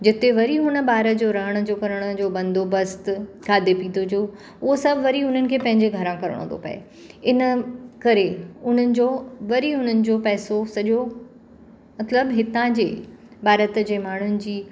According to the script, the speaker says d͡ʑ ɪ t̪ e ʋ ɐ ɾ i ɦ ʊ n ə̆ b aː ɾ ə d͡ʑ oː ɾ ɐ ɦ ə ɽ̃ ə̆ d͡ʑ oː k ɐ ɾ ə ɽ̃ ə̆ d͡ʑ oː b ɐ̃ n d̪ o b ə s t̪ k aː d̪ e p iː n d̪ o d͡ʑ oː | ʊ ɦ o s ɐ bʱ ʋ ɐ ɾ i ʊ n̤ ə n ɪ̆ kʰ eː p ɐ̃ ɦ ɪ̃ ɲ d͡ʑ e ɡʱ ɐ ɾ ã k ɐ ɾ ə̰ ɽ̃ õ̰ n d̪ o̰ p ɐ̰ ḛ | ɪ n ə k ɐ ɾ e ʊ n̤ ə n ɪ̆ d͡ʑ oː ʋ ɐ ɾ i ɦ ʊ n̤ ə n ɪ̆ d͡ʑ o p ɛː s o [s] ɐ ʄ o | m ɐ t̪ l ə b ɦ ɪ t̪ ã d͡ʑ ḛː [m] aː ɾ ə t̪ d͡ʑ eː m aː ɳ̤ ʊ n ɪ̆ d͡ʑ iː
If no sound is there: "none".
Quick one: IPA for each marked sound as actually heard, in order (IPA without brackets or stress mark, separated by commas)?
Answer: s, b